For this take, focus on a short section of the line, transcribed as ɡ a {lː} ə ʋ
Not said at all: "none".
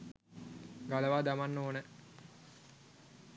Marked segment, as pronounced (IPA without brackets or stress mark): l